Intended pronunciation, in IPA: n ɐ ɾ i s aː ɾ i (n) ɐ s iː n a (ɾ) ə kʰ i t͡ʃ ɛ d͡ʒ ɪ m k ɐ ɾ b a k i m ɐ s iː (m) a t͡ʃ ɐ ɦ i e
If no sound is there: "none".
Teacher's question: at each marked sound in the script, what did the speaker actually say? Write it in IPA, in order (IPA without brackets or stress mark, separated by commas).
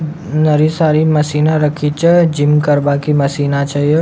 m, ɾ, n